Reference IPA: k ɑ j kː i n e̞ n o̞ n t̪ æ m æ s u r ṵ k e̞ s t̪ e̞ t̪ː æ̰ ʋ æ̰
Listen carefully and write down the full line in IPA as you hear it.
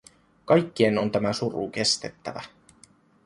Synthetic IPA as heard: k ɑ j kː i e̞ n o̞ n t̪ æ m æ s u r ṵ k e̞ s t̪ e̞ t̪ː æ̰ ʋ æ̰